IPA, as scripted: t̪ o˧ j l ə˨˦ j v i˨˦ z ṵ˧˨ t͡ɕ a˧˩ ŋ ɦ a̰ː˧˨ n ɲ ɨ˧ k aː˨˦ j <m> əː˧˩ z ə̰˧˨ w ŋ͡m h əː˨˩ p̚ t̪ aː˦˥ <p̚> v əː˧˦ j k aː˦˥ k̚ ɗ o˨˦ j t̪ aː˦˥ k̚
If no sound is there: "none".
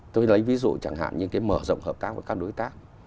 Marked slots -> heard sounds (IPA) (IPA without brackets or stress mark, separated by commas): m, k̚